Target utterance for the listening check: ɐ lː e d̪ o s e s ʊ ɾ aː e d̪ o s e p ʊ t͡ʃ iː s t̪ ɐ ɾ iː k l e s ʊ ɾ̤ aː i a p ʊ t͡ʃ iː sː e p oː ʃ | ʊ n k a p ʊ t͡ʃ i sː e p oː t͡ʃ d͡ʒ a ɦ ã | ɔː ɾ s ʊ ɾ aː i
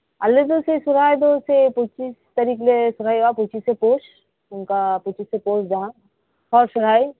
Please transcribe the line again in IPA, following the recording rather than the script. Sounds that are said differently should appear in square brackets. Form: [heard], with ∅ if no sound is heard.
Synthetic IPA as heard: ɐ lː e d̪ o s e s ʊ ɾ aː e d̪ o s e p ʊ t͡ʃ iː s t̪ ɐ ɾ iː k l e s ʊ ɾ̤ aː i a p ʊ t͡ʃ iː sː e p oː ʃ | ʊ n k a p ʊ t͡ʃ i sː e p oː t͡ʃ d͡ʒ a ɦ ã | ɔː ɾ s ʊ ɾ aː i